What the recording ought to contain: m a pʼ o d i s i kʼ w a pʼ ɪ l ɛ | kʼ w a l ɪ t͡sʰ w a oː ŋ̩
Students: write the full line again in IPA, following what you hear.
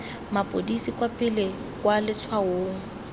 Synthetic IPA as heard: m a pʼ o d i s i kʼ w a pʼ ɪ l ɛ | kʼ w a l ɪ t͡sʰ w a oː ŋ̩

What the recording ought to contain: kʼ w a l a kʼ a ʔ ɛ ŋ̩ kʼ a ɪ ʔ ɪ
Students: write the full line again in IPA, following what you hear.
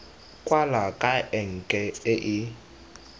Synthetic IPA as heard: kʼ w a l a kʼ a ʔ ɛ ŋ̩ kʼ ɛ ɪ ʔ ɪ

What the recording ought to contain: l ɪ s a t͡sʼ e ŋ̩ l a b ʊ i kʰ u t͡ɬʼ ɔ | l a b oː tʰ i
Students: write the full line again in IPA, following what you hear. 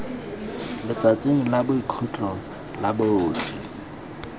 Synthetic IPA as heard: l ɪ t͡s a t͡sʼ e ŋ̩ l a b ʊ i kʰ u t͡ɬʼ ɔ | l a b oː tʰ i

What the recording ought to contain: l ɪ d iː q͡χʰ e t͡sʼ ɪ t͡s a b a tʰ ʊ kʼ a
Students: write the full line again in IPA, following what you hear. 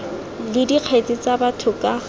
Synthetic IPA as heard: l ɪ d i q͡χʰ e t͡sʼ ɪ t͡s a b a tʰ ʊ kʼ a

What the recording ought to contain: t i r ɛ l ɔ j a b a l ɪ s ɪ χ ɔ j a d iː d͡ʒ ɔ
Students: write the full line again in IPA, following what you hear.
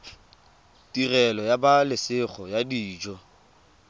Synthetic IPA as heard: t i r ɛ l ɔ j a b a l ɪ s ɪ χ ɔ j a d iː d͡ʒ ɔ

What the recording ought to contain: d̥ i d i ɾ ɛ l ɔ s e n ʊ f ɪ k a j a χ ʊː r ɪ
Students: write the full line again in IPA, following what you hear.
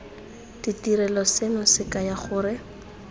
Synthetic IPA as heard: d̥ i t i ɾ ɛ l ɔ s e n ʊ s ɪ k a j a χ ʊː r ɪ

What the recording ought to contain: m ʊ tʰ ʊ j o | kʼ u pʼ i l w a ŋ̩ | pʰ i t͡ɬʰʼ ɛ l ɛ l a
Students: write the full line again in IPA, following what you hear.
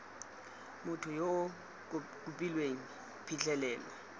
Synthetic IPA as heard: m ʊ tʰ ʊ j o | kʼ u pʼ i l w e ŋ̩ | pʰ i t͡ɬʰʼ ɛ l ɛː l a

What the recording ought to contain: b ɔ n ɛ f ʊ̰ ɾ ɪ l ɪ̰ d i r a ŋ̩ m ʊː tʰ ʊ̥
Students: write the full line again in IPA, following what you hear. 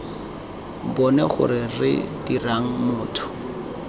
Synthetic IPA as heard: b ɔ n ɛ χ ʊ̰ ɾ ɪ r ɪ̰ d i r a ŋ̩ m ʊː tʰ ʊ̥

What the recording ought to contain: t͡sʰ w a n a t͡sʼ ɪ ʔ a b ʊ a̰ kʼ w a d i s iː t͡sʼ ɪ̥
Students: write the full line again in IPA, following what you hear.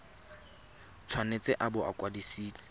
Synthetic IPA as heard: t͡sʰ w a n e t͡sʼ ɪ ʔ a b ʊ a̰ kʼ w a d i s iː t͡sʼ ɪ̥

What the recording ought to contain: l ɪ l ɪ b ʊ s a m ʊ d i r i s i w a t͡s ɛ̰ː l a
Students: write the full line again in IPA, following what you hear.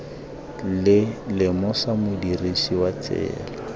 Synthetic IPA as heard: l ɪ l ɪ m ʊ s a m ʊ d i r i s i w a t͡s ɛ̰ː l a

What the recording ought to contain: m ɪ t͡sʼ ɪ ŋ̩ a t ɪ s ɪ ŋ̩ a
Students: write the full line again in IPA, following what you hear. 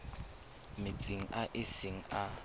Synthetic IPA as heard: m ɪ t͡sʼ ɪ ŋ̩ a ʔ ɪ s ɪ ŋ̩ a

